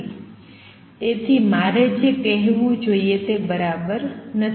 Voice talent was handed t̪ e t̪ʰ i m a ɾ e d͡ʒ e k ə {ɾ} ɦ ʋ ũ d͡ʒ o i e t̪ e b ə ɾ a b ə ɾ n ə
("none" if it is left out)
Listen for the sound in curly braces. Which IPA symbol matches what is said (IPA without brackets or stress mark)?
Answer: none